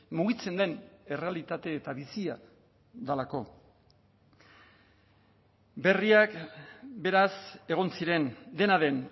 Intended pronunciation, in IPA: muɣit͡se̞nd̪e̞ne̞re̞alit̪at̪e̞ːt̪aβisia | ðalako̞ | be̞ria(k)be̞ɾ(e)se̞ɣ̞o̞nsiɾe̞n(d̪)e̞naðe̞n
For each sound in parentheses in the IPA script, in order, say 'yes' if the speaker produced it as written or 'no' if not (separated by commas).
yes, no, yes